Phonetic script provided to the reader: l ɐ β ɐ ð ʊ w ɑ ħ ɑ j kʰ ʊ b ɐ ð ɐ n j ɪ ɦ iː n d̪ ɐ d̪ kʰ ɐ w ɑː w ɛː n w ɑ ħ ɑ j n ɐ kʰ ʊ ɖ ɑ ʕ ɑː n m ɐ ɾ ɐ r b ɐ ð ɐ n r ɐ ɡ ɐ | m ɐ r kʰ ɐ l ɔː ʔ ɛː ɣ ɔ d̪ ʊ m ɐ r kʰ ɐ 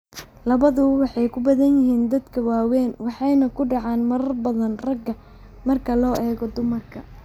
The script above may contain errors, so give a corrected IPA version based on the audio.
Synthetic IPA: l ɐ β ɐ ð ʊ w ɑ ħ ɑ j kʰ ʊ b ɐ ð ɐ n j ɪ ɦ iː n d̪ ɐ d̪ kʰ ɐ w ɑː w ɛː n w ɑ ħ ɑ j n ɐ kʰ ʊ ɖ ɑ ʕ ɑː n m ɐ ɾ ɐ r b ɐ ð ɐ n r ɐ ɡ ɐ | m ɐ r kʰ ɐ l ɔː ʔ ɛː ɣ ɔ d̪ ʊ m ɐ r kʰ ɐ